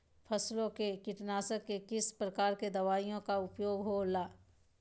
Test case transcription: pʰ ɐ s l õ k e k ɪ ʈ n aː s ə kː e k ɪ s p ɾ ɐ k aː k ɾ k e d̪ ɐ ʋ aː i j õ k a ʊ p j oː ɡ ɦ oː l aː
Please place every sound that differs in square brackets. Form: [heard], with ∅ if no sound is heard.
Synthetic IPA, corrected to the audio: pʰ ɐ s l õ k e k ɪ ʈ n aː s ə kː e k ɪ s p ɾ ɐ k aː [∅] ɾ k e d̪ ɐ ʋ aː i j õ k a ʊ p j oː ɡ ɦ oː l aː